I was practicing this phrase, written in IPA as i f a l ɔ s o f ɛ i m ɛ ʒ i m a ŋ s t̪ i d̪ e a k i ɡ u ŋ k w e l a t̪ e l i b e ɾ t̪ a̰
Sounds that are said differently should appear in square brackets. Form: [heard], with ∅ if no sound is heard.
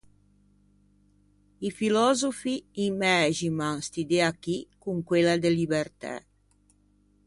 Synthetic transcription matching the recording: i f [i] l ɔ [z] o f [i] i m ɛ ʒ i m a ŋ s t̪ i d̪ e a k i [k] u ŋ k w e l a [d̪] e l i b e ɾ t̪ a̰